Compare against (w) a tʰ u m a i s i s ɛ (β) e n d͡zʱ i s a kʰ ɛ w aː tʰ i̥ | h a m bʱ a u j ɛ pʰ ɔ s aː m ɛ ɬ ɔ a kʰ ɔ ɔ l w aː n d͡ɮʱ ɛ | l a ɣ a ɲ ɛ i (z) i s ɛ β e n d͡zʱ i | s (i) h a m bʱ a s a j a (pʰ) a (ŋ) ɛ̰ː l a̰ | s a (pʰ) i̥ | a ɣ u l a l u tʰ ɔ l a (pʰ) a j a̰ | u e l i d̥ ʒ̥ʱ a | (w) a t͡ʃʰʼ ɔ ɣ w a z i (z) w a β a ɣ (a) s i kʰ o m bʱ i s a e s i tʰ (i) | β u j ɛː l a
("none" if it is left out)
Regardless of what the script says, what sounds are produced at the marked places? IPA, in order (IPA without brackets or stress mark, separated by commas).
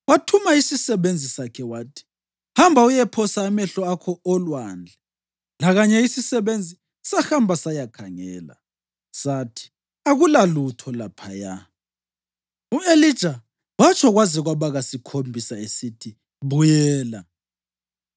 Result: w, β, s, a, kʰ, ŋ, tʰ, pʰ, w, ɣ, a, i